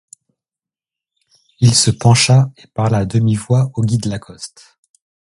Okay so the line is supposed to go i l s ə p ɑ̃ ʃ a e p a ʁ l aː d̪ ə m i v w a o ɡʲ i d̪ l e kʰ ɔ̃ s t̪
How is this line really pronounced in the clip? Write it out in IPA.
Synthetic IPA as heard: i l s ə p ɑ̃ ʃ a e p a ʁ l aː d̪ ə m i v w a o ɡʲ i d̪ l a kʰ ɔ s t̪